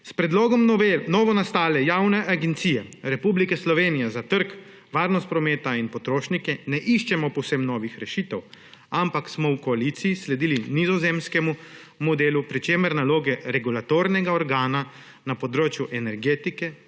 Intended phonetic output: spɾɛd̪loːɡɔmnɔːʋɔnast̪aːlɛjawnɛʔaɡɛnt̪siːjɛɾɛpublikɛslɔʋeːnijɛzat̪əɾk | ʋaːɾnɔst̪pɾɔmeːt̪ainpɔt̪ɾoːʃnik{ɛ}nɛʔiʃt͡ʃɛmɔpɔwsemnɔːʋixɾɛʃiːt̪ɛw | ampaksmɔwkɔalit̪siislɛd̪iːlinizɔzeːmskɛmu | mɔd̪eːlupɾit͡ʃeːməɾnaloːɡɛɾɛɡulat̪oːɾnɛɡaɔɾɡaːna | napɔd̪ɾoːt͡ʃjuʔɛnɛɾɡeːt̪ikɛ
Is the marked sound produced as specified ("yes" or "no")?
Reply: yes